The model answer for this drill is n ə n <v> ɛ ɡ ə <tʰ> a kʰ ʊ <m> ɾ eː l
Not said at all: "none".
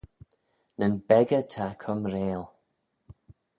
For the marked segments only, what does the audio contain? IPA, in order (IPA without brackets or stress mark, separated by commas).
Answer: b, tʰ, m